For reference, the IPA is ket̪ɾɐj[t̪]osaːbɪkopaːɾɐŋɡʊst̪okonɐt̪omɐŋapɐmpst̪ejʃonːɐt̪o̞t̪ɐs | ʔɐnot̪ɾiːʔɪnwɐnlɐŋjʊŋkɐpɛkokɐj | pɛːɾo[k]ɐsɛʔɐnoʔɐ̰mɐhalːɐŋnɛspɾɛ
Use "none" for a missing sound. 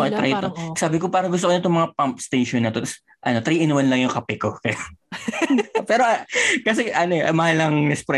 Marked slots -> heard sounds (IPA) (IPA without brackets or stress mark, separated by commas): t̪, k